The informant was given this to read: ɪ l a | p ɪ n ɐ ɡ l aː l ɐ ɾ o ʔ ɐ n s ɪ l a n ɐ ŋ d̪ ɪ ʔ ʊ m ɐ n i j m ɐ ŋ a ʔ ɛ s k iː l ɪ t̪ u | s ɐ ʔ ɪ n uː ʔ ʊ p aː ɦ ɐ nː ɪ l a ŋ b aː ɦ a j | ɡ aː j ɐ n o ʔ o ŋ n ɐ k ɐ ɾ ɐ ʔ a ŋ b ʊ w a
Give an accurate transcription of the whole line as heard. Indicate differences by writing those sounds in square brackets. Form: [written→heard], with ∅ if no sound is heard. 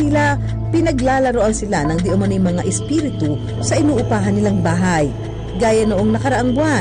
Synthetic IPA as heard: ɪ l a | p ɪ n ɐ ɡ l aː l ɐ ɾ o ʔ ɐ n s ɪ l a n ɐ ŋ d̪ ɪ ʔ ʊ m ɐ n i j m ɐ ŋ a ʔ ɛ s [k→p] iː [l→ɾ] ɪ t̪ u | s ɐ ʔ ɪ n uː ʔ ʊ p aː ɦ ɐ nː ɪ l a ŋ b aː ɦ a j | ɡ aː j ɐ n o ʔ o ŋ n ɐ k ɐ ɾ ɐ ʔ a ŋ b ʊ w a